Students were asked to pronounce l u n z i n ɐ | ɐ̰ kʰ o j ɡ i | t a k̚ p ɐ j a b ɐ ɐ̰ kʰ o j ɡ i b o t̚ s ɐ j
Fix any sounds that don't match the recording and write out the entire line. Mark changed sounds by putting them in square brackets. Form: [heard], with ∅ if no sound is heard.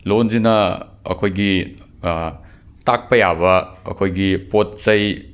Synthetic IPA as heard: l [o] n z i n ɐ | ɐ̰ kʰ o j ɡ i | t a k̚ p ɐ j a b ɐ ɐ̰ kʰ o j ɡ i [p] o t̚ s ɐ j